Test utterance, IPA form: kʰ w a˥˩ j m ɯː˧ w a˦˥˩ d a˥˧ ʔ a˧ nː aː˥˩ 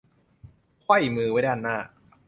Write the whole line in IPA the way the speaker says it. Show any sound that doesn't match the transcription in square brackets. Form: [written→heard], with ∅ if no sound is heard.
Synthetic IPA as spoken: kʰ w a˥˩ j m ɯː˧ w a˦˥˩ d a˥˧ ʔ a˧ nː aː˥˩